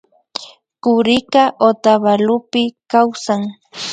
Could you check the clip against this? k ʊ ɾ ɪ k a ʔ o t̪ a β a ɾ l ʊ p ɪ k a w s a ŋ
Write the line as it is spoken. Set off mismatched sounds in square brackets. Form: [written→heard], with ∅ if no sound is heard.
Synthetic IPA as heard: k ʊ ɾ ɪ k a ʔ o t̪ a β a [ɾ→∅] l ʊ p ɪ k a w s a ŋ